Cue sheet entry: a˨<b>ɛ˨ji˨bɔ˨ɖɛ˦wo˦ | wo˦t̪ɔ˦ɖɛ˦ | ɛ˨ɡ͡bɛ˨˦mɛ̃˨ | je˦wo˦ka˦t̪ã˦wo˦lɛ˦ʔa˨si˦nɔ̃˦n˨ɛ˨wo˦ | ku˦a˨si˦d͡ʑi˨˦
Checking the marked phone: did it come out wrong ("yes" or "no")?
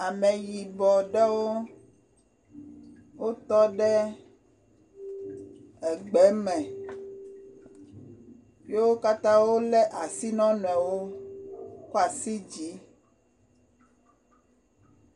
yes